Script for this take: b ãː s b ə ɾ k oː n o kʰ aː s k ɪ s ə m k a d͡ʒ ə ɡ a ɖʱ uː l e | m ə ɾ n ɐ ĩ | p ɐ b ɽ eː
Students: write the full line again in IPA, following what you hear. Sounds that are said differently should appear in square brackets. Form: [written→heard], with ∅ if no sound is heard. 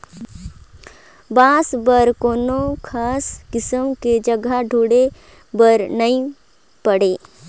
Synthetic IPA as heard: b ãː s b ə ɾ k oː n o kʰ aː s k ɪ s ə m k [a→e] d͡ʒ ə ɡ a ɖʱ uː [l→ɽ] e | [m→b] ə ɾ n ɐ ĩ | p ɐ [b→∅] ɽ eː